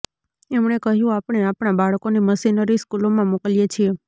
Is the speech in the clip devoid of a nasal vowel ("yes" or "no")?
no